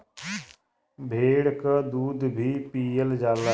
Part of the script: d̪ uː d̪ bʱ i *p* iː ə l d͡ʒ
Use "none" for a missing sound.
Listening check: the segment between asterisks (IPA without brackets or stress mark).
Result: p